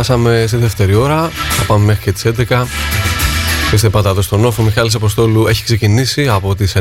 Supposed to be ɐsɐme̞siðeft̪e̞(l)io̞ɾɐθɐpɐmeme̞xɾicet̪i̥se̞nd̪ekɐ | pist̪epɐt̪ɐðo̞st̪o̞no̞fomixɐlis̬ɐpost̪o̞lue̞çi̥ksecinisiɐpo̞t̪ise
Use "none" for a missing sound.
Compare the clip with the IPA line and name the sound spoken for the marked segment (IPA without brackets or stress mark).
ɾ